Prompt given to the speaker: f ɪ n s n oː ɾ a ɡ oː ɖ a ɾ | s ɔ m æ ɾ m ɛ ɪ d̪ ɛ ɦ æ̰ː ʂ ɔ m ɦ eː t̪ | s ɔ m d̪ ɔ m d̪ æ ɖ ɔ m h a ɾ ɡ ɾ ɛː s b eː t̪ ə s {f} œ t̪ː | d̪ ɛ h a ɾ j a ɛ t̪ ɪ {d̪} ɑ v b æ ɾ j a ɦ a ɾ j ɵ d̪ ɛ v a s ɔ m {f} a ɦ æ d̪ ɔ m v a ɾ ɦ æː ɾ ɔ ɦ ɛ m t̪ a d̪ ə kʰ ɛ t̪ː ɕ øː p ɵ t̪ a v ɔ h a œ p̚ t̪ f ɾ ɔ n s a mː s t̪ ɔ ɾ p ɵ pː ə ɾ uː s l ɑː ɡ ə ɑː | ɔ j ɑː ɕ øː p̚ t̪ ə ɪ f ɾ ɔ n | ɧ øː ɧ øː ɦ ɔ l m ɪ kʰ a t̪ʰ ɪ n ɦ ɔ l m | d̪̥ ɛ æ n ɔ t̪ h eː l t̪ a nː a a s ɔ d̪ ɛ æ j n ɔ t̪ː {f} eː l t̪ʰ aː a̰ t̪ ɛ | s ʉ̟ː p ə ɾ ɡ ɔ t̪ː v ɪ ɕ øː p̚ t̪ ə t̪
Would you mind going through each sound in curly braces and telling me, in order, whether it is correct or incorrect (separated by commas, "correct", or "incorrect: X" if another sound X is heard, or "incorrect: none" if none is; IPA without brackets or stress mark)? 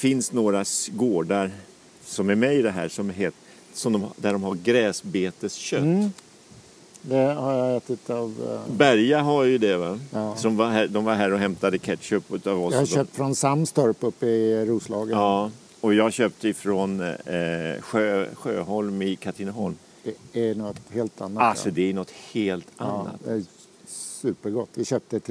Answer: incorrect: ɕ, incorrect: t̪, incorrect: v, incorrect: h